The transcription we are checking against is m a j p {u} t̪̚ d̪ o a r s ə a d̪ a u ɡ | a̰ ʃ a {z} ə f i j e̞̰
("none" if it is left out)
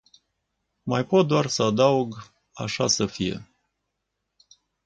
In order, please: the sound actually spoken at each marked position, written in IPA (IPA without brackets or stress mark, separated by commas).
o, s